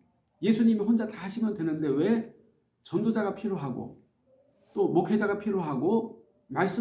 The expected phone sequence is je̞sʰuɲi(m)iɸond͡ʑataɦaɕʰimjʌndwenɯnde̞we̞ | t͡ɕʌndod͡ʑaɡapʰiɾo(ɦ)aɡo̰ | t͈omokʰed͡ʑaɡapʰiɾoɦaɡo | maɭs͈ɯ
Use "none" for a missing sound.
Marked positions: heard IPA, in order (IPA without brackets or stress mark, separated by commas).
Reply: m, ɦ